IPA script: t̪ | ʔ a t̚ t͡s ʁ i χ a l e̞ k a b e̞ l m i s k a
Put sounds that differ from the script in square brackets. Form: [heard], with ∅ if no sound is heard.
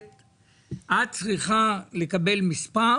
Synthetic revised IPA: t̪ | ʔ a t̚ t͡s ʁ i χ a l e̞ k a b e̞ l m i s [p] a